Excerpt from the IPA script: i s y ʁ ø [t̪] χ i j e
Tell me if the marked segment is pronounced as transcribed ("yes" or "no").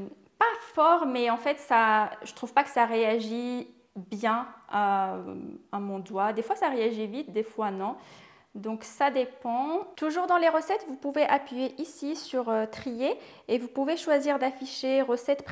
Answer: yes